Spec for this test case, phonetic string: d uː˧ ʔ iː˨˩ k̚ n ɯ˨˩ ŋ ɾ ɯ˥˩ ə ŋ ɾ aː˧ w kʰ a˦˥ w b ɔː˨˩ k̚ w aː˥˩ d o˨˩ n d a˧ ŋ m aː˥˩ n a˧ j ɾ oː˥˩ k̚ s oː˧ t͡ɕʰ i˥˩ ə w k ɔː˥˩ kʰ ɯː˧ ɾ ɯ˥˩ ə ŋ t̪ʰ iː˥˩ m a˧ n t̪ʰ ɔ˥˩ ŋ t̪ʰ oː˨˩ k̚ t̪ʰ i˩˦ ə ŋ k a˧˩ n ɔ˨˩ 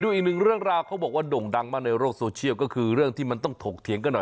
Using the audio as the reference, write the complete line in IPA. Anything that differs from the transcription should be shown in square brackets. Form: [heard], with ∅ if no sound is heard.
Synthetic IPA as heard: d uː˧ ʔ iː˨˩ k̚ n ɯ˨˩ ŋ ɾ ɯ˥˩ ə ŋ ɾ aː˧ w kʰ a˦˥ w b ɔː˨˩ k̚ w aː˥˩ d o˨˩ [ŋ] d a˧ ŋ m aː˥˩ n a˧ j ɾ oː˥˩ k̚ s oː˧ t͡ɕʰ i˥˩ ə w k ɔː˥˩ kʰ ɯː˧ ɾ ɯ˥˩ ə ŋ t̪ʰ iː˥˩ m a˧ n [t̪] ɔ˥˩ ŋ t̪ʰ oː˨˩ k̚ t̪ʰ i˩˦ ə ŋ k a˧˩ n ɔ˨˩